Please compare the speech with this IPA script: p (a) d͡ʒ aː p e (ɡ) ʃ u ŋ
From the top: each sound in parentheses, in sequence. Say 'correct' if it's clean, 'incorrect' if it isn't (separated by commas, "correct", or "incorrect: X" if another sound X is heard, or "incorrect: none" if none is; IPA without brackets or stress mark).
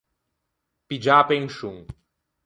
incorrect: i, incorrect: ŋ